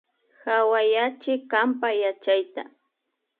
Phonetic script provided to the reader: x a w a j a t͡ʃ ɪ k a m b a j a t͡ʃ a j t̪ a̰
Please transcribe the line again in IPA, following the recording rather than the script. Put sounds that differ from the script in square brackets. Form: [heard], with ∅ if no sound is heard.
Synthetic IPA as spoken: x a w a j a t͡ʃ ɪ k a m [p] a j a t͡ʃ a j t̪ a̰